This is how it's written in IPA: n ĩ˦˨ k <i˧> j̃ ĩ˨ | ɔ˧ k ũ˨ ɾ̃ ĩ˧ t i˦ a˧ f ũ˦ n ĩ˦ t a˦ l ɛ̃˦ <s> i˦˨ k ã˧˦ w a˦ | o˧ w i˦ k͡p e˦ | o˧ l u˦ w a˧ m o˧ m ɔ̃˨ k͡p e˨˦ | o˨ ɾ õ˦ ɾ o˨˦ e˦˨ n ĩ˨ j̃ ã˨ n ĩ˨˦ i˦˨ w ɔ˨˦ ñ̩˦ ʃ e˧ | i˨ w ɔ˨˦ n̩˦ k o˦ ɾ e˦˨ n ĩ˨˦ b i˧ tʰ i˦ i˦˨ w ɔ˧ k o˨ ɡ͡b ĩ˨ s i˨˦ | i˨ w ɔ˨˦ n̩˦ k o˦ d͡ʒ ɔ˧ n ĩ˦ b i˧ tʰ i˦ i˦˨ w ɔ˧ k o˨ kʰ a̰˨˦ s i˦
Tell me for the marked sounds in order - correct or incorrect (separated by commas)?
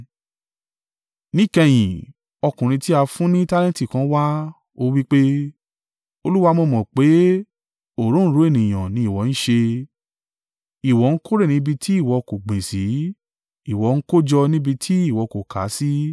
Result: incorrect, incorrect